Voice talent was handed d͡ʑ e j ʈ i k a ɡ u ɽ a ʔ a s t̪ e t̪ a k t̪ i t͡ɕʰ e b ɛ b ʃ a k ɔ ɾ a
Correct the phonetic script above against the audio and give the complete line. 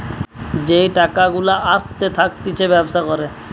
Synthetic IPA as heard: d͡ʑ e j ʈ a k a ɡ u l a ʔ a s t̪ e t̪ʰ a k t̪ i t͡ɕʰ e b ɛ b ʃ a k ɔ ɾ e